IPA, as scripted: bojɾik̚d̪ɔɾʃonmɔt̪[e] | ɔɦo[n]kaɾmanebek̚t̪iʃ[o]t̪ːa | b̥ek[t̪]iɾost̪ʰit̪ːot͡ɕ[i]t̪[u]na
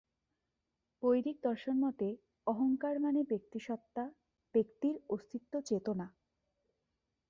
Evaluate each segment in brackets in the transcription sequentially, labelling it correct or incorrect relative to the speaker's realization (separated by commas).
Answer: correct, incorrect, incorrect, correct, incorrect, incorrect